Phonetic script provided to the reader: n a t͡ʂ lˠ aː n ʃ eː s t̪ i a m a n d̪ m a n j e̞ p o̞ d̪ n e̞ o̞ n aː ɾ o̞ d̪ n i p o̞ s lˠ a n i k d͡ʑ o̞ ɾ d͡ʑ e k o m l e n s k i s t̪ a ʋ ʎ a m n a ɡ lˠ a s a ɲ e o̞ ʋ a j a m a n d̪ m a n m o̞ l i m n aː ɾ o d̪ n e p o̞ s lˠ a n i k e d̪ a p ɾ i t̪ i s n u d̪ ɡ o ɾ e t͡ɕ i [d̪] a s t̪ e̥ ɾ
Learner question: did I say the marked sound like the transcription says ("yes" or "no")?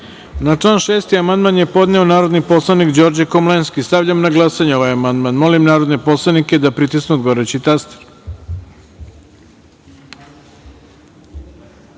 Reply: no